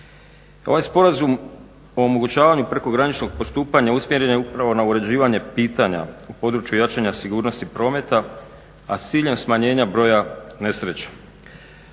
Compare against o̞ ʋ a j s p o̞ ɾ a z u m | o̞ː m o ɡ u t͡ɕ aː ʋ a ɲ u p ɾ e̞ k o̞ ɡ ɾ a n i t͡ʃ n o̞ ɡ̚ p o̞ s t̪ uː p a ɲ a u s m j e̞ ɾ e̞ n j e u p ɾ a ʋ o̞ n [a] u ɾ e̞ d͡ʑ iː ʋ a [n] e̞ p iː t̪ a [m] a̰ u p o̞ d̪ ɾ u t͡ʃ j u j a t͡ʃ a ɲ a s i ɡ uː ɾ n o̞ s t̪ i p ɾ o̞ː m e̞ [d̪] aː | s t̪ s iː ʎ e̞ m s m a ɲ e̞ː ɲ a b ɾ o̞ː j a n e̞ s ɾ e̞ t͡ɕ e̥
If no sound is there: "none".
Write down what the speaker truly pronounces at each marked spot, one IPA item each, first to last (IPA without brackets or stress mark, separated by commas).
a, ɲ, ɲ, t̪